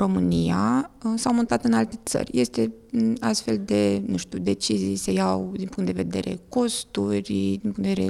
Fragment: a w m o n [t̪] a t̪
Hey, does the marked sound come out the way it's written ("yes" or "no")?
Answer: yes